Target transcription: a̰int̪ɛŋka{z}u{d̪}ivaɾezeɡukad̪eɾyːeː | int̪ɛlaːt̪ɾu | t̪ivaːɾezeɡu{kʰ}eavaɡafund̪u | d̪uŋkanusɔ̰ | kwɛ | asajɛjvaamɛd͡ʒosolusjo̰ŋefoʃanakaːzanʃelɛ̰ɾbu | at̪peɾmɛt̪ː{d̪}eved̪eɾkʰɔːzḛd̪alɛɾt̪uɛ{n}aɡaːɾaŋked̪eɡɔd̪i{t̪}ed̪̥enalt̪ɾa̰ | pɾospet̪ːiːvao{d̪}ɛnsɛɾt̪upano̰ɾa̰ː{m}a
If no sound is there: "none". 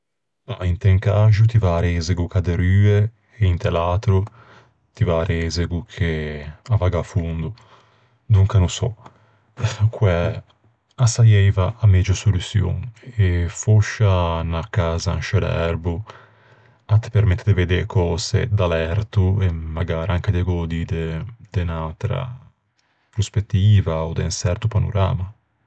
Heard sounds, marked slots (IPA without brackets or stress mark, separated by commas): ʒ, t̪, kʰ, d̪, m, d̪, d̪, m